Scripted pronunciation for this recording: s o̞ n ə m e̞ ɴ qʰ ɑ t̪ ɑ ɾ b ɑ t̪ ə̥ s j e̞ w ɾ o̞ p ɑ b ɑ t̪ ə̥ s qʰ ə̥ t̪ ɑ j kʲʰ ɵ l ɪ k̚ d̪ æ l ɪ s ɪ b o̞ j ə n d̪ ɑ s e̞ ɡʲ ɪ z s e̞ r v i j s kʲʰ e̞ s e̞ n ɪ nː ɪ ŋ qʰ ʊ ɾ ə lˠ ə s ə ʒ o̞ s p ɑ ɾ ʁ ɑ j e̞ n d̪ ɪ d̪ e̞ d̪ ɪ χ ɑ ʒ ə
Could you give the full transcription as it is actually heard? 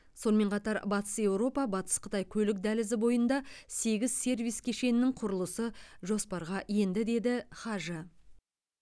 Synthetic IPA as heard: s o̞ n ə m e̞ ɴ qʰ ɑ t̪ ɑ ɾ b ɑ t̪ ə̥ s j e̞ w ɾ o̞ p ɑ b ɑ t̪ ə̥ s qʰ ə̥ t̪ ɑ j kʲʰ ɵ l ɪ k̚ d̪ æ l ɪ z ɪ b o̞ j ə n d̪ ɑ s e̞ ɡʲ ɪ z s e̞ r v i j s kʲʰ e̞ ʃ e̞ n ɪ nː ɪ ŋ qʰ ʊ ɾ ə lˠ ə s ə ʒ o̞ s p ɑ ɾ ʁ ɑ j e̞ n d̪ ɪ d̪ e̞ d̪ ɪ χ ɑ ʒ ə